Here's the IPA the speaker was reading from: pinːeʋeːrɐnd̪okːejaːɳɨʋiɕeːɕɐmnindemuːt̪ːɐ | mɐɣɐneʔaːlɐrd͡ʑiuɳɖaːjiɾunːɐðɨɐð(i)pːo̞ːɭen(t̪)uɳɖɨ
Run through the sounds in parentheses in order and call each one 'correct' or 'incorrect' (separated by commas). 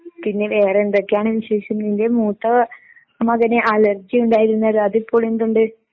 correct, incorrect